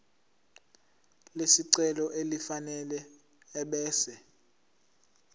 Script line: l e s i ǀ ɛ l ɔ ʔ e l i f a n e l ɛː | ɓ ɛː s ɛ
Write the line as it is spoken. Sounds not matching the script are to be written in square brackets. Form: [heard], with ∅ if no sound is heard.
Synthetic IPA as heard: l e s i ǀ ɛ l ɔ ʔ e l i f a n [ɛ] l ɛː | ɓ ɛː s ɛ